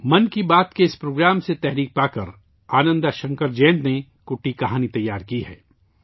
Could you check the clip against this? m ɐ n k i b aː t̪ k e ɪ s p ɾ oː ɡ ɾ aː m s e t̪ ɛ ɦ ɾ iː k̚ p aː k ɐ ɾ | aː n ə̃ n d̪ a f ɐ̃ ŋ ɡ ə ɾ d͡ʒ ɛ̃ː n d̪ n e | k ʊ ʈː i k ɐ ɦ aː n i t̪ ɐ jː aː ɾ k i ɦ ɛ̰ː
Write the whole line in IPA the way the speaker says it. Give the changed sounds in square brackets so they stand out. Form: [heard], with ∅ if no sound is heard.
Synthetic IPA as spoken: m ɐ n k i b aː t̪ k e ɪ s p ɾ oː ɡ ɾ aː m s e t̪ ɛ ɦ ɾ iː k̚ p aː k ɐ ɾ | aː n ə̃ n d̪ a [ʃ] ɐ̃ ŋ [k] ə ɾ d͡ʒ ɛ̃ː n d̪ n e | k ʊ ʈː i k ɐ ɦ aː n i t̪ ɐ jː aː ɾ k i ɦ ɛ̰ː

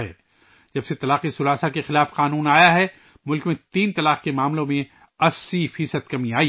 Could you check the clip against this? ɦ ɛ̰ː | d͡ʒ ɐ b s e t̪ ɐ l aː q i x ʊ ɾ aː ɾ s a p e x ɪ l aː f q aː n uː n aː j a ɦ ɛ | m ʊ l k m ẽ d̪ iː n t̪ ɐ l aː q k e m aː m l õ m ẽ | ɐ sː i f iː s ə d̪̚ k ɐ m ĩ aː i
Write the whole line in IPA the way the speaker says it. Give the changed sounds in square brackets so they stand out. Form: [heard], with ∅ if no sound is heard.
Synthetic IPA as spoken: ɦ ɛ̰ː | d͡ʒ ɐ b s e t̪ ɐ l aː q i [s] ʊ ɾ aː [∅] s a [k] e x ɪ l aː f q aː n uː n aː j a ɦ ɛ | m ʊ l k m ẽ [t̪] iː n t̪ ɐ l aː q k e m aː m l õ m ẽ | ɐ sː i f iː s ə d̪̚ k ɐ m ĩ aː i

